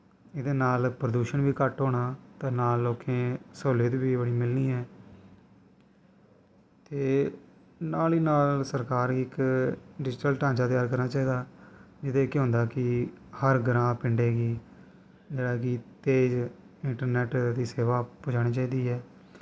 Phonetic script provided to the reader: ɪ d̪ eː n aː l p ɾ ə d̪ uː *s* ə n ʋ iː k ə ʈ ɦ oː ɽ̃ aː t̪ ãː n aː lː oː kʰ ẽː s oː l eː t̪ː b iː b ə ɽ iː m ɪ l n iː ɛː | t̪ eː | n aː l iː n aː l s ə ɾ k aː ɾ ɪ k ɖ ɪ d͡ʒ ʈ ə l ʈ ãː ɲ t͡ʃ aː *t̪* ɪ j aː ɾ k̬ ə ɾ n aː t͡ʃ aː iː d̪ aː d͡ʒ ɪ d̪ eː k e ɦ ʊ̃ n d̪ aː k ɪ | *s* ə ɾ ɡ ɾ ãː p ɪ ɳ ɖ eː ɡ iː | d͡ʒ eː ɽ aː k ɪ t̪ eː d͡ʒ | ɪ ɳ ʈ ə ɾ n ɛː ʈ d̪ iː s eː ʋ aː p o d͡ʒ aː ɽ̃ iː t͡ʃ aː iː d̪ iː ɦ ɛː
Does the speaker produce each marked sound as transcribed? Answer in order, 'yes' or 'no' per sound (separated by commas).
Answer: no, yes, no